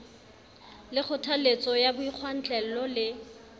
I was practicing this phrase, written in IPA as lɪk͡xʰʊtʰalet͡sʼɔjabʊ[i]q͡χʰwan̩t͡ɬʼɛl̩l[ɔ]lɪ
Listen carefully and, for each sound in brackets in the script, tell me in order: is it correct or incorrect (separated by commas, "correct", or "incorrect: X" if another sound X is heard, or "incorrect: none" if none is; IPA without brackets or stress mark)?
correct, correct